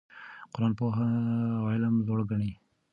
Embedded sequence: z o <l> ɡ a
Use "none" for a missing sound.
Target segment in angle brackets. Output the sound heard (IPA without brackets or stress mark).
ɽ